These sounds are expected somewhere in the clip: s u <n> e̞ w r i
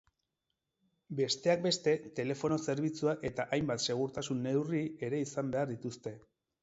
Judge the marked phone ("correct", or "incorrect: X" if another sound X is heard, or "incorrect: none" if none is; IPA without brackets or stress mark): incorrect: nː